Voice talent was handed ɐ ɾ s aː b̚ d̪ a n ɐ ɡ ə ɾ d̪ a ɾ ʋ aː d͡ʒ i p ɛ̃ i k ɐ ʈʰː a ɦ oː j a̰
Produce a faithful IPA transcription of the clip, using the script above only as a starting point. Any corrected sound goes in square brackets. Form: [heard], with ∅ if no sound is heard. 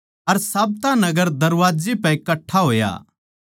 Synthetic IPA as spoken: ɐ ɾ s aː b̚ [t̪] a n ɐ ɡ ə ɾ d̪ [ɐ] ɾ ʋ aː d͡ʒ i p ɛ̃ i k ɐ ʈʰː a ɦ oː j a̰